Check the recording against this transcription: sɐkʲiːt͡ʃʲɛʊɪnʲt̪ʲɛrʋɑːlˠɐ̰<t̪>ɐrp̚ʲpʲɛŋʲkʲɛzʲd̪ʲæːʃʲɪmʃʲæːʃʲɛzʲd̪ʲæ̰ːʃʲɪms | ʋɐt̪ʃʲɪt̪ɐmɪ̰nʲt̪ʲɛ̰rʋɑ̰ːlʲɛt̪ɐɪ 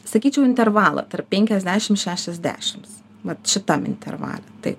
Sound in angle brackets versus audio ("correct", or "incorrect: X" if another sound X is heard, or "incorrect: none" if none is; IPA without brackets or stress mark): correct